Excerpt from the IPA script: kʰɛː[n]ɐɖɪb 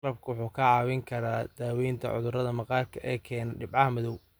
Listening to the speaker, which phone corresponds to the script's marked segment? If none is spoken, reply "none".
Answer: n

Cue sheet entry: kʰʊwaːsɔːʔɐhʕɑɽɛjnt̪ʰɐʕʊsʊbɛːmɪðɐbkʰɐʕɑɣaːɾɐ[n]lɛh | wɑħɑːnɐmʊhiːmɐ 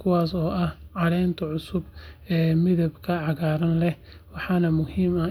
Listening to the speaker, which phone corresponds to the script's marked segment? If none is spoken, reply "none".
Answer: n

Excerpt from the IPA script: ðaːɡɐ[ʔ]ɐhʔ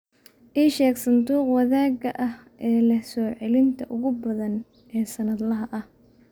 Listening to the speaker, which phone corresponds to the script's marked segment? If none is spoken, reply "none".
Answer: ʔ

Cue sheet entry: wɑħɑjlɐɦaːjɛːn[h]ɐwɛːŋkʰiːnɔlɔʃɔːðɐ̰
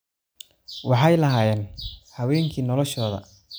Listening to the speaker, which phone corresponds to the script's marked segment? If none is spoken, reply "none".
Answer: h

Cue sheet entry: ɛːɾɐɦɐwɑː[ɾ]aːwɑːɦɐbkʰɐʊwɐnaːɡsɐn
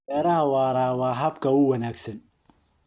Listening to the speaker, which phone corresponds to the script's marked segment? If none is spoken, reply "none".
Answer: ɾ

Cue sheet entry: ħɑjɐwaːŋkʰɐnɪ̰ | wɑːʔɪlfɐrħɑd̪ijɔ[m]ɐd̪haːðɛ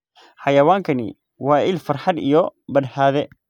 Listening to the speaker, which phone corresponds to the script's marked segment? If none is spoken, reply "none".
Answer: b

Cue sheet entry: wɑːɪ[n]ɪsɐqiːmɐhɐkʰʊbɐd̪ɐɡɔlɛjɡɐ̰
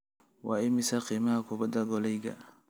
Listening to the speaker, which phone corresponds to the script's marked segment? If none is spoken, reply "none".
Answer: m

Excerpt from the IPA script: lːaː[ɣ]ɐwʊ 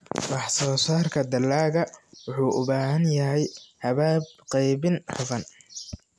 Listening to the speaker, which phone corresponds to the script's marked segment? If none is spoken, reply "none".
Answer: ɣ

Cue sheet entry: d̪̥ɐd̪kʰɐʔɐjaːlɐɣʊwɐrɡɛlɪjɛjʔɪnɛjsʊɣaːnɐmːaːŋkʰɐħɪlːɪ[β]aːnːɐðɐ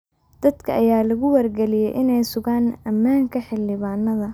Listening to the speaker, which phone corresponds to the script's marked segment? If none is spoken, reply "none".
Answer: β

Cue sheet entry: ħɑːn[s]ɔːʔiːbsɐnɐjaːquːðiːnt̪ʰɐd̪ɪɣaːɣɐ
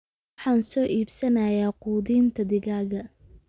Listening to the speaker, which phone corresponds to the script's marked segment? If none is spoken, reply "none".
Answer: s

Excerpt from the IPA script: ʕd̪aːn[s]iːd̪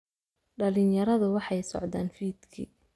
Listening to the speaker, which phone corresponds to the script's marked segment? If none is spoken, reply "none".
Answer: f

